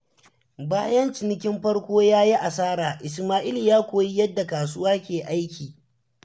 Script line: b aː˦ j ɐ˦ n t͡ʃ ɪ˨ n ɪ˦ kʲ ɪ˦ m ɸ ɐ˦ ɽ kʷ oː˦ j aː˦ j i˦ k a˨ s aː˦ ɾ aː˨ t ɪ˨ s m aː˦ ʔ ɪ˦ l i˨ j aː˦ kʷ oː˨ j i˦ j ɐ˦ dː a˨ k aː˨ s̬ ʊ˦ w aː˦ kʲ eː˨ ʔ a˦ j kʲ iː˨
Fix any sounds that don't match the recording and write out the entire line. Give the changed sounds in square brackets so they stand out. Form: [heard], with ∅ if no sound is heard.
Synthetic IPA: b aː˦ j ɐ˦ n t͡ʃ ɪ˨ n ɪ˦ kʲ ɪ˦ m ɸ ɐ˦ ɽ kʷ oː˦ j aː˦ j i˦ [ʔ] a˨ s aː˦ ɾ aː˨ [ʔ] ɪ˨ s m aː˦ ʔ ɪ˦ l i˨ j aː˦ kʷ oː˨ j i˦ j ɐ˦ dː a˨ k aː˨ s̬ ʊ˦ w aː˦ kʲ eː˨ ʔ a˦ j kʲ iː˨

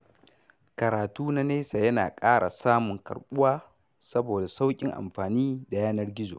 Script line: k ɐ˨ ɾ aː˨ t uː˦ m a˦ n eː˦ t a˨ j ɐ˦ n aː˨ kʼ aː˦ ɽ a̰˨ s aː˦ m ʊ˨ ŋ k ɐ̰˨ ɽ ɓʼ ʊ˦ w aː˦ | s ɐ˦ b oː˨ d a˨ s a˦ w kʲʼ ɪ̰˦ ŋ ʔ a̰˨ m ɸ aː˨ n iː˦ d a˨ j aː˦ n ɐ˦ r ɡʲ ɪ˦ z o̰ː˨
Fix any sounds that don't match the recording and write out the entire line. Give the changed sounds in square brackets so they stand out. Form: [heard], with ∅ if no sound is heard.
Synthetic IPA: k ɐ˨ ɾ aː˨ t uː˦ [n] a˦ n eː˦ [s] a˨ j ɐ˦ n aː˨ kʼ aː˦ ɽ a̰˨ s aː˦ m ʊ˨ ŋ k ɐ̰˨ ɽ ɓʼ ʊ˦ w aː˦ | s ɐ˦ b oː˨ d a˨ s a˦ w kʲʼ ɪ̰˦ ŋ ʔ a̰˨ m ɸ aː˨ n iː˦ d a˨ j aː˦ n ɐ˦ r ɡʲ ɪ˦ z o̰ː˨

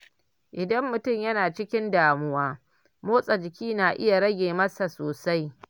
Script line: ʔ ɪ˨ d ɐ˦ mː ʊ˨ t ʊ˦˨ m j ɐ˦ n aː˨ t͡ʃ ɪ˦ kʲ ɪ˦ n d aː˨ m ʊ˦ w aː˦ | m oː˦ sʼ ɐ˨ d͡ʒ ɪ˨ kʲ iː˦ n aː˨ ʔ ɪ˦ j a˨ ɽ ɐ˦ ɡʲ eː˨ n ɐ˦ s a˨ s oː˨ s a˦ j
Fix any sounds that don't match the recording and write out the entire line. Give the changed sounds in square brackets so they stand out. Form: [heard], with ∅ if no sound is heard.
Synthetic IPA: ʔ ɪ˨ d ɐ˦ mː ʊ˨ t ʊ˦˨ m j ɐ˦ n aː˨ t͡ʃ ɪ˦ kʲ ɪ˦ n d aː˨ m ʊ˦ w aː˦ | m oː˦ sʼ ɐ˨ d͡ʒ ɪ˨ kʲ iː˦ n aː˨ ʔ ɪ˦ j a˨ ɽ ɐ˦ ɡʲ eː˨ [m] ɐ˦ s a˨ s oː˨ s a˦ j

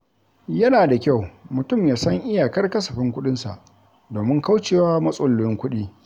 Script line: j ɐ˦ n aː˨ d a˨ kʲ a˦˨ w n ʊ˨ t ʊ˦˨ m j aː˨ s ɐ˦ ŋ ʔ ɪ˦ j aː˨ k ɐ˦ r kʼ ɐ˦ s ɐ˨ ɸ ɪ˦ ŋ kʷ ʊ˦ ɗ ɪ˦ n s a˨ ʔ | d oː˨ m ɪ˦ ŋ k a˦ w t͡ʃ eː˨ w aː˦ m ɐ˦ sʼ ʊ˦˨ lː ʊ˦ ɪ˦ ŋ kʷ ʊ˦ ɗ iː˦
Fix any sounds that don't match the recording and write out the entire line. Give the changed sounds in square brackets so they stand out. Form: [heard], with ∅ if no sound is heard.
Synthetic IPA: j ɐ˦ n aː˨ d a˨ kʲ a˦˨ w [m] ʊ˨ t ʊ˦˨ m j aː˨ s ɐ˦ ŋ ʔ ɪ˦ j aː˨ k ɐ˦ r [k] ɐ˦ s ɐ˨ ɸ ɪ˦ ŋ kʷ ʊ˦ ɗ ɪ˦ n s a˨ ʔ | d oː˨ m ɪ˦ ŋ k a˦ w t͡ʃ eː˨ w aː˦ m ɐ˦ sʼ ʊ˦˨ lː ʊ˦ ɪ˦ ŋ kʷ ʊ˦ ɗ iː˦

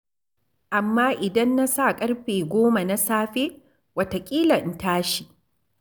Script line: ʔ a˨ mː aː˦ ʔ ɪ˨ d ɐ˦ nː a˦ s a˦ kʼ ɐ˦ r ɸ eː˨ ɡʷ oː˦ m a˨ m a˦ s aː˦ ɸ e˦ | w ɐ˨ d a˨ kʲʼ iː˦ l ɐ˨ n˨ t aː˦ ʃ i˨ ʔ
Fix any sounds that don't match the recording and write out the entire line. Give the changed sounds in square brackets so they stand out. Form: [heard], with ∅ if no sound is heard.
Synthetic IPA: ʔ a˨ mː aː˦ ʔ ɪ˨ d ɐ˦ nː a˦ s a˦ kʼ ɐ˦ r ɸ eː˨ ɡʷ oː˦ m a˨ [n] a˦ s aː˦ ɸ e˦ | w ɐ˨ [t] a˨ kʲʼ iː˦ l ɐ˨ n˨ t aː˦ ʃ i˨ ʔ

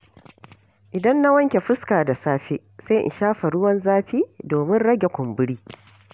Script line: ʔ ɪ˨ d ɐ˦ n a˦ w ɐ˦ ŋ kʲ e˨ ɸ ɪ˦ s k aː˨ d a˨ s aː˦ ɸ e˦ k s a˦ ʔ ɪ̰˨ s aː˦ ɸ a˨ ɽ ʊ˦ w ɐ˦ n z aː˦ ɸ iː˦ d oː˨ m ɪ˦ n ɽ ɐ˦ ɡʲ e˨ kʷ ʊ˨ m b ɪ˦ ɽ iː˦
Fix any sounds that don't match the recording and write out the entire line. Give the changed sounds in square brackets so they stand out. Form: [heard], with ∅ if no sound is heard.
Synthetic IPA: ʔ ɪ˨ d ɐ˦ [nː] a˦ w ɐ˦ ŋ kʲ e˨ ɸ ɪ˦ s k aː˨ d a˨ s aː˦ ɸ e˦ [∅] s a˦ ʔ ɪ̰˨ [ʃ] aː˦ ɸ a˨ ɽ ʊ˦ w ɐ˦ n z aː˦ ɸ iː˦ d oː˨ m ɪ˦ n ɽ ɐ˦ ɡʲ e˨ kʷ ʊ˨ m b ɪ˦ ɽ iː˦

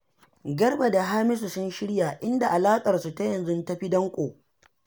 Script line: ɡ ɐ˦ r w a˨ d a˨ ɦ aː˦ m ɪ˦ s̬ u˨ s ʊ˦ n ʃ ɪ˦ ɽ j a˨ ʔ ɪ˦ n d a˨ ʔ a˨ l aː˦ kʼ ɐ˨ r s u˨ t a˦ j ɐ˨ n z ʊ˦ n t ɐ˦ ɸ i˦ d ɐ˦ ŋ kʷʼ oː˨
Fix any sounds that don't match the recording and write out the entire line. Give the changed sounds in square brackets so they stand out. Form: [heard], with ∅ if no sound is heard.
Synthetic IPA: ɡ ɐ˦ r [b] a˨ d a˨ ɦ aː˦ m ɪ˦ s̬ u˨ s ʊ˦ n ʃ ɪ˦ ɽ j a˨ ʔ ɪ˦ n d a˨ ʔ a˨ l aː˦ kʼ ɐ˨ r s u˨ t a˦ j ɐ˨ n z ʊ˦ n t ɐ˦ ɸ i˦ d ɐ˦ ŋ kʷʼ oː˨

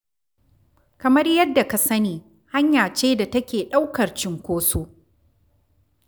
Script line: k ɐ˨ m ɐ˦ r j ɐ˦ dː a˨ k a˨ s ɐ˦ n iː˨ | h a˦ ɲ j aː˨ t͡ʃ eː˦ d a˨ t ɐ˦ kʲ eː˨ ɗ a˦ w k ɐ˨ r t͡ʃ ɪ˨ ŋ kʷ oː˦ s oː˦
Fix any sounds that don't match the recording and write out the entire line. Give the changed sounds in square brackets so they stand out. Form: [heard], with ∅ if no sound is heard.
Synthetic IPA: k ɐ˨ m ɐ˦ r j ɐ˦ dː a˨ k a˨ s ɐ˦ n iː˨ | h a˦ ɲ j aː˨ t͡ʃ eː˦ d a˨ t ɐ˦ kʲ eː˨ ɗ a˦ w k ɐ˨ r t͡ʃ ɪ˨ ŋ kʷ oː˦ s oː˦

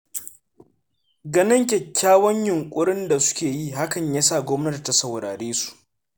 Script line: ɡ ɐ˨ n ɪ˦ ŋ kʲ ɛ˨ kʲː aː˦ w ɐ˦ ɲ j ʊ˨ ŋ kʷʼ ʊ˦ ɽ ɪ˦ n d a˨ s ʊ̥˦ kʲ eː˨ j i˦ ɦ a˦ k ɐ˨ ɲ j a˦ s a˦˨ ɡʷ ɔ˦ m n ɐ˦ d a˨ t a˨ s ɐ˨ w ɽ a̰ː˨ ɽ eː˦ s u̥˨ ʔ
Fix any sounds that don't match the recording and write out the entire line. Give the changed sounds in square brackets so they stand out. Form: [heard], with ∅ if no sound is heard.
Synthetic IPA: ɡ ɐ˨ n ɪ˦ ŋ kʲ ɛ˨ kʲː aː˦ w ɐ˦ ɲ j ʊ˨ ŋ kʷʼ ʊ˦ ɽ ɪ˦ n d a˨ s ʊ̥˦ kʲ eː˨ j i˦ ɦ a˦ k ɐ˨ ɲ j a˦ s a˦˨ ɡʷ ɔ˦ m n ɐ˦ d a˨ t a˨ s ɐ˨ w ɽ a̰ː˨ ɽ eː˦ s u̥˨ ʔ

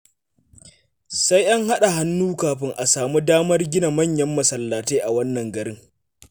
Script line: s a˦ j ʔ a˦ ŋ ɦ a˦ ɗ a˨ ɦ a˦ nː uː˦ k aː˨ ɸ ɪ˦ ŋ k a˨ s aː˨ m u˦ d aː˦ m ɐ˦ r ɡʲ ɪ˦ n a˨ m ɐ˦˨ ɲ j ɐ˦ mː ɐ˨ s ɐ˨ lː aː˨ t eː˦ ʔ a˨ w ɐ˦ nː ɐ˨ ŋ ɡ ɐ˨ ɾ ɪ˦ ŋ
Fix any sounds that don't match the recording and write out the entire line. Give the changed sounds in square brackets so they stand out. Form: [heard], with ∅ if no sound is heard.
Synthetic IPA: s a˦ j ʔ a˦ ŋ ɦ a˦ ɗ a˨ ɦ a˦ nː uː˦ k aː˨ ɸ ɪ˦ ŋ [ʔ] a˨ s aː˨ m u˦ d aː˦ m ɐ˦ r ɡʲ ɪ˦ n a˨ m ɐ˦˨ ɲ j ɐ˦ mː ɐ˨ s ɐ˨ lː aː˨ t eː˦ ʔ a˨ w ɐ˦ nː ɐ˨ ŋ ɡ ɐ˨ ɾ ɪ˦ ŋ

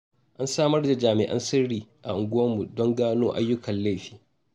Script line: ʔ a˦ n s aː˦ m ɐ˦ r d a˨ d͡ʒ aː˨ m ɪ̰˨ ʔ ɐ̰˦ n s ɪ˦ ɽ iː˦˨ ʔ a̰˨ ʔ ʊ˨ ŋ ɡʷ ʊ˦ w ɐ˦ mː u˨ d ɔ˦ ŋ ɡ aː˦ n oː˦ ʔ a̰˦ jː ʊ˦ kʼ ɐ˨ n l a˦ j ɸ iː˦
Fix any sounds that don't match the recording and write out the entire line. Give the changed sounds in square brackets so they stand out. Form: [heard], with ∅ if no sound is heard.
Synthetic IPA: ʔ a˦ n s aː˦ m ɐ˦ r d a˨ d͡ʒ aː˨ m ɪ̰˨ ʔ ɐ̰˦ n s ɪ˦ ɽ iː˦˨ ʔ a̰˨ ʔ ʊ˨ ŋ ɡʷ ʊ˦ w ɐ˦ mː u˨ d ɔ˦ ŋ ɡ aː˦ n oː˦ ʔ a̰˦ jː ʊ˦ [k] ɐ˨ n l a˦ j ɸ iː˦

